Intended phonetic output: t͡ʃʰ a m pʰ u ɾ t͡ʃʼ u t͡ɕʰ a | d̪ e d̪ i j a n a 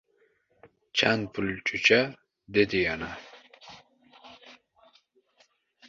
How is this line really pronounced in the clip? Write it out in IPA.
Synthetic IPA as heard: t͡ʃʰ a n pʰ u l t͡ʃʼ u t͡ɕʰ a | d̪ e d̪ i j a n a